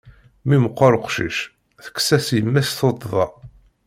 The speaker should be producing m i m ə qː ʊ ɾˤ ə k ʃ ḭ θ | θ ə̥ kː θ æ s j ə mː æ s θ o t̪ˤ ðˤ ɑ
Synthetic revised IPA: m i m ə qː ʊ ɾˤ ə q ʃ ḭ ʃ | θ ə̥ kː s æ s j ə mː æ s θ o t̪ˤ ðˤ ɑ